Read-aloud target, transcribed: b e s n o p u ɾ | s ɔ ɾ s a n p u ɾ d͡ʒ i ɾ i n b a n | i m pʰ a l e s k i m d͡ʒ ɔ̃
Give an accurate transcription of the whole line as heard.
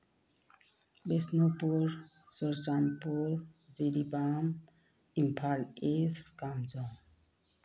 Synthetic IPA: b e s n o p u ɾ | s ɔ ɾ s a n p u ɾ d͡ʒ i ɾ i b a m | i m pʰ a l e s k a m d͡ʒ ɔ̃

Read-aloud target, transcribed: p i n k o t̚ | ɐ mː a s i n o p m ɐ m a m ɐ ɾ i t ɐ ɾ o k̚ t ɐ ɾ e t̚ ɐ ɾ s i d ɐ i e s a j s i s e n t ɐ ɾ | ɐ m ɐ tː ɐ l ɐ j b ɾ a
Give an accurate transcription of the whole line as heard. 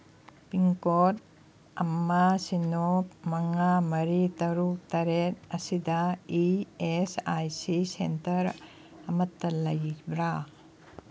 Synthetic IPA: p i ŋ k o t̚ | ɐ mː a s i n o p m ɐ ŋ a m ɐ ɾ i t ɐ ɾ u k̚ t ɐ ɾ e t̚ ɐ s i d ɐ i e s a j s i s e n t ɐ ɾ | ɐ m ɐ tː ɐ l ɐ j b ɾ a

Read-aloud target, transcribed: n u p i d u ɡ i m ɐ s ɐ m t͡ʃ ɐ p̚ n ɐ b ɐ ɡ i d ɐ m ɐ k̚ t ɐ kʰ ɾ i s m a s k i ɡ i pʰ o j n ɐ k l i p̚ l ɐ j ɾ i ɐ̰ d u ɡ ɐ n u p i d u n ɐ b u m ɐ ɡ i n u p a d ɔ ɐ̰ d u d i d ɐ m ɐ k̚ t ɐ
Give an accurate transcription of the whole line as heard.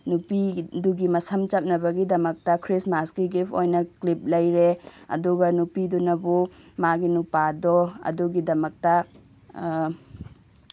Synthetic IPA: n u p i d u ɡ i m ɐ s ɐ m t͡ʃ ɐ p̚ n ɐ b ɐ ɡ i d ɐ m ɐ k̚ t ɐ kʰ ɾ i s m a s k i ɡ i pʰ o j n ɐ k l i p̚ l ɐ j ɾ e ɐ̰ d u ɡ ɐ n u p i d u n ɐ b u m a ɡ i n u p a d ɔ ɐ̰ d u ɡ i d ɐ m ɐ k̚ t ɐ

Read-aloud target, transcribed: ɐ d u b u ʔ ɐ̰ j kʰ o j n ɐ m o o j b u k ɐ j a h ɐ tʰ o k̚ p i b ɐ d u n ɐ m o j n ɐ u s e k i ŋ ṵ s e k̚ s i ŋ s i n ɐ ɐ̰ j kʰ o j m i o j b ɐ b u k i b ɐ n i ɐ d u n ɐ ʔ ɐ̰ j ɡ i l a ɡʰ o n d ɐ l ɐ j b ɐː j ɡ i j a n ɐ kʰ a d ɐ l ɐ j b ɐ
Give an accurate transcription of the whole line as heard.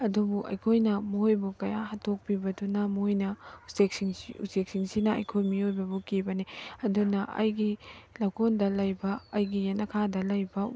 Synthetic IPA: ɐ d u b u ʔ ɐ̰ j kʰ o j n ɐ m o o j b u k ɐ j a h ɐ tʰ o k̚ p i b ɐ d u n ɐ m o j n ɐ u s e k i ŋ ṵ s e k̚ s i ŋ s i n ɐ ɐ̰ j kʰ o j m i o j b ɐ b u k i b ɐ n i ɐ d u n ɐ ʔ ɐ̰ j ɡ i l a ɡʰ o n d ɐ l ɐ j b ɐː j ɡ i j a n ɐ kʰ a d ɐ l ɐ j b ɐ

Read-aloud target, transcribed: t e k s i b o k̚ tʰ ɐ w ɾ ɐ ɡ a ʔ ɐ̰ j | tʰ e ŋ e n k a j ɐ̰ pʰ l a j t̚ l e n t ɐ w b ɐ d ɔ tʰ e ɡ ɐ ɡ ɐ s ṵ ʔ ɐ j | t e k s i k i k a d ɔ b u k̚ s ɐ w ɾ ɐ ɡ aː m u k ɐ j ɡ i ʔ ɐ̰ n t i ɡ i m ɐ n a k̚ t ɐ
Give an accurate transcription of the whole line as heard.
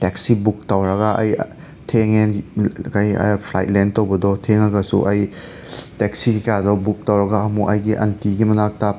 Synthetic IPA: t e k s i b u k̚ t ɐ w ɾ ɐ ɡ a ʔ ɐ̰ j | tʰ e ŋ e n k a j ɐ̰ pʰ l a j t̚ l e n t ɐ w b ɐ d ɔ tʰ e ŋ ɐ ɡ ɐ s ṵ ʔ ɐ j | t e k s i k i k a d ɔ b u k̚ t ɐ w ɾ ɐ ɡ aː m u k ɐ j ɡ i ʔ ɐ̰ n t i ɡ i m ɐ n a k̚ t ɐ

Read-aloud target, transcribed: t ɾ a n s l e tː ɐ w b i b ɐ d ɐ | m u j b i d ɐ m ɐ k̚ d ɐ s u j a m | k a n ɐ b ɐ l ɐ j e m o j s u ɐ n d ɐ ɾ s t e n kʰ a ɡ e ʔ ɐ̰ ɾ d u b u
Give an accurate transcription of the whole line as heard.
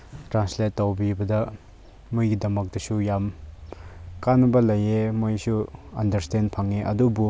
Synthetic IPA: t ɾ a n s l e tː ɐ w b i b ɐ d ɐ | m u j ɡ i d ɐ m ɐ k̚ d ɐ s u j a m | k a n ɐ b ɐ l ɐ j e m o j s u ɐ n d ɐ ɾ s t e n pʰ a ŋ e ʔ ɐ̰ d u b u

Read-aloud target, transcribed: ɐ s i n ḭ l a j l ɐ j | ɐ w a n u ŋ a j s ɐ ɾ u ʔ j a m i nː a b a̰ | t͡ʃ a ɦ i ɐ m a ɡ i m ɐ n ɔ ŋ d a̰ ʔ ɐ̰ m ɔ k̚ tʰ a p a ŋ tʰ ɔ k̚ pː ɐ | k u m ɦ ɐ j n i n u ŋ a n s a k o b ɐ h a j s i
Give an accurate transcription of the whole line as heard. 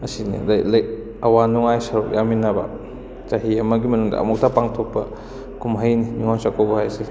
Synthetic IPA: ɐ s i n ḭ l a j l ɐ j | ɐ w a n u ŋ a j s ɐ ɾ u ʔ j a m i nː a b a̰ | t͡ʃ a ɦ i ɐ m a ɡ i m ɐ n u ŋ d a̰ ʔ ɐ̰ m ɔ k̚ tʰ a p a ŋ tʰ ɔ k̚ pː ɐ | k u m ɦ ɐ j n i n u ŋ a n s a k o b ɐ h a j s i

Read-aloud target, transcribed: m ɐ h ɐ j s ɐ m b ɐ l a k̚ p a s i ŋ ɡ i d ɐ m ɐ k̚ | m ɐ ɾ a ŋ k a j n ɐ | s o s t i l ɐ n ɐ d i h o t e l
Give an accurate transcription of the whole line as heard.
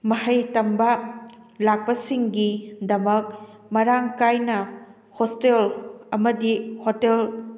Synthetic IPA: m ɐ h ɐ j t ɐ m b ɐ l a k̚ p ɐ s i ŋ ɡ i d ɐ m ɐ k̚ | m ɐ ɾ a ŋ k a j n ɐ | h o s t e l ɐ m ɐ d i h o t e l

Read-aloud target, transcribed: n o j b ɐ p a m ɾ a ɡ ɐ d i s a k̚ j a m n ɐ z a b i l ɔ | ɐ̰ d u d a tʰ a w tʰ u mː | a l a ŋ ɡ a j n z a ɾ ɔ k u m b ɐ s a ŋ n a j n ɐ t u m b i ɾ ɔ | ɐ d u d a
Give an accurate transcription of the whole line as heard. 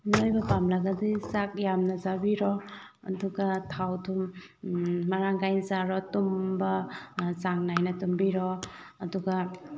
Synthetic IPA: n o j b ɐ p a m l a ɡ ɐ d i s a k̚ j a m n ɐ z a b i ɾ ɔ | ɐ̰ d u ɡ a tʰ a w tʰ u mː | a ɾ a ŋ ɡ a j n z a ɾ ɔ t u m b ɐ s a ŋ n a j n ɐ t u m b i ɾ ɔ | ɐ d u ɡ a

